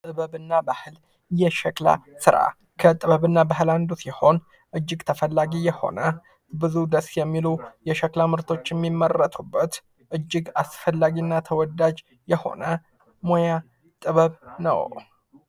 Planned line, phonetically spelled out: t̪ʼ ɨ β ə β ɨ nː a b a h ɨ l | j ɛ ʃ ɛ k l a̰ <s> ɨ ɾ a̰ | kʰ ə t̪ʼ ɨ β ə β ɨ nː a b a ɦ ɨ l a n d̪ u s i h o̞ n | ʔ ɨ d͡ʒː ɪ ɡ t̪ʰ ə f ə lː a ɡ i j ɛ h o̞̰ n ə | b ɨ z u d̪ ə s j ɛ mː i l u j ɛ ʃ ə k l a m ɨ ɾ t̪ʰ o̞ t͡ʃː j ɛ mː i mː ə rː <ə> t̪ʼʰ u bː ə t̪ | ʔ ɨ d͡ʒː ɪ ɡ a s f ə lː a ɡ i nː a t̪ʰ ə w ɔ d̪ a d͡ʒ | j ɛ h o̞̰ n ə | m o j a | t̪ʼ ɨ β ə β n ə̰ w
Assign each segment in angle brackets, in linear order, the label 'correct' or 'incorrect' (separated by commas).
correct, correct